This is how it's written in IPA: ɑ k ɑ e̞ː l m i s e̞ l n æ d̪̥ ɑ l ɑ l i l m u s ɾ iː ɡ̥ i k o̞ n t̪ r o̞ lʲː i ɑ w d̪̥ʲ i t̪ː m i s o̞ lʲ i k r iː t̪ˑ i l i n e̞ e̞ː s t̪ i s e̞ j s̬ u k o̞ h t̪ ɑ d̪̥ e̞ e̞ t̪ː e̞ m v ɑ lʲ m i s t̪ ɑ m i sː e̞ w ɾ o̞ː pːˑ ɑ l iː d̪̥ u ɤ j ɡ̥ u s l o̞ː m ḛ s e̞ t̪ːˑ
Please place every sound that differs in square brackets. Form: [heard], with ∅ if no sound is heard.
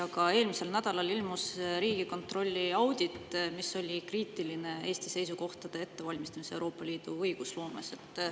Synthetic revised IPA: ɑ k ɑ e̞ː l m i s e̞ l n æ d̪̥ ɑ l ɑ l i l m u s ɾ iː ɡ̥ i k o̞ n t̪ r o̞ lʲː i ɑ w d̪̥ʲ i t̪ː m i s o̞ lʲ i k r iː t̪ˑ i l i n e̞ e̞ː s t̪ i s e̞ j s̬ u k o̞ h t̪ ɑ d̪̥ e̞ e̞ t̪ː e̞ [∅] v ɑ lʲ m i s t̪ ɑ m i [s] e̞ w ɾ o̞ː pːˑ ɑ l iː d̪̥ u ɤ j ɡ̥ u s l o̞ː m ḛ s e̞ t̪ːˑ

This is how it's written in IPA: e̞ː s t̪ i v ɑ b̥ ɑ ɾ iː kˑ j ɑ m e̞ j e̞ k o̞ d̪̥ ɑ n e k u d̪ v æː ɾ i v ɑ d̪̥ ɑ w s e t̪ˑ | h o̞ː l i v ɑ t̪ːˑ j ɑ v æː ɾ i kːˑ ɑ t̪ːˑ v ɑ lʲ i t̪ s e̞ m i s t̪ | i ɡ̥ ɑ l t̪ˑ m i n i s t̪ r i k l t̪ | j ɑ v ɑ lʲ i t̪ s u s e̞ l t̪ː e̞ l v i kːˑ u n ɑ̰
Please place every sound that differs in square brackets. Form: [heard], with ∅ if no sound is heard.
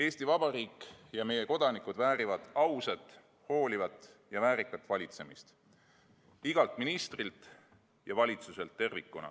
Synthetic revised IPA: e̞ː s t̪ i v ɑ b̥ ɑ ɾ iː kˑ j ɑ m e̞ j e̞ k o̞ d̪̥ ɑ n [i] k u d̪ v æː ɾ i v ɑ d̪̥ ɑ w s e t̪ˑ | h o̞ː l i v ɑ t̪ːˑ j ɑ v æː ɾ i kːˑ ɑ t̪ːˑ v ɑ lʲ i t̪ s e̞ m i s t̪ | i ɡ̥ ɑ l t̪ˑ m i n i s t̪ r i [∅] l t̪ | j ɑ v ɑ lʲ i t̪ s u s e̞ l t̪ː e̞ [r] v i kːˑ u n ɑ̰

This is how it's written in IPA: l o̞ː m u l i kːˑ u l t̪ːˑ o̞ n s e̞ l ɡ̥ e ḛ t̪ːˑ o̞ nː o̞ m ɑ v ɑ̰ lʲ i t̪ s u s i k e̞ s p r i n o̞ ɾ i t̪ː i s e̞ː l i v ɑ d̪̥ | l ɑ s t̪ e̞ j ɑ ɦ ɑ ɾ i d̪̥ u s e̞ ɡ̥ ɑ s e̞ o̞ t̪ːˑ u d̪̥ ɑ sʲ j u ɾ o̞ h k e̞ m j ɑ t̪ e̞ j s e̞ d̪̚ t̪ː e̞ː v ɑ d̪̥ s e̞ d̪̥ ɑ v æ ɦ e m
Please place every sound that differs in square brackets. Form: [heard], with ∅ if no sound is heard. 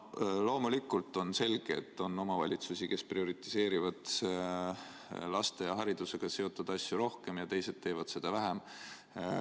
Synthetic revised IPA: l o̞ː m u l i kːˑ u l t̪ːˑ o̞ n s e̞ l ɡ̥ e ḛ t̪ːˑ o̞ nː o̞ m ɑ v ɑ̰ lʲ i t̪ s u s i k e̞ s p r i [∅] o̞ ɾ i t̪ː i s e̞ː [ɾ] i v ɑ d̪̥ | l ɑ s t̪ e̞ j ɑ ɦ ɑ ɾ i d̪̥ u s e̞ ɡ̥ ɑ s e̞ o̞ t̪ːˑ u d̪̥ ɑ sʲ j u ɾ o̞ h k e̞ m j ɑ t̪ e̞ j s e̞ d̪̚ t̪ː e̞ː v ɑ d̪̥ s e̞ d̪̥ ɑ v æ ɦ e m

